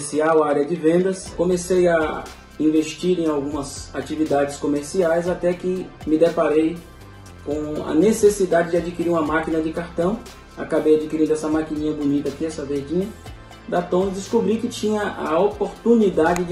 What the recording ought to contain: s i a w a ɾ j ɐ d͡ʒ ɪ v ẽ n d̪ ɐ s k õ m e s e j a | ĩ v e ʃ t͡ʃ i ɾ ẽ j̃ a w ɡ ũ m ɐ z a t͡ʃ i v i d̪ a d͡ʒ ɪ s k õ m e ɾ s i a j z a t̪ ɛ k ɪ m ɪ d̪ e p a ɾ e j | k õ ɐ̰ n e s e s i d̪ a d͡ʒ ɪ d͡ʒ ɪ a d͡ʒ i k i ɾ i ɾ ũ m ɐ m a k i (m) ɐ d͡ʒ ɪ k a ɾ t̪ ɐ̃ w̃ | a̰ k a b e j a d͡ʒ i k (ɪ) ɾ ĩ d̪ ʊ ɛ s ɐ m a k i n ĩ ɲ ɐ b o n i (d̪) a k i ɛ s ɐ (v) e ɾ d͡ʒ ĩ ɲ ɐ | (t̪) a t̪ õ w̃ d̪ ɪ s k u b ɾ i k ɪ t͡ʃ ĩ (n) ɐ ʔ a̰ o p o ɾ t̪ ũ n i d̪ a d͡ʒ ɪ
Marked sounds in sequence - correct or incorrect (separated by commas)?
incorrect, incorrect, incorrect, correct, incorrect, incorrect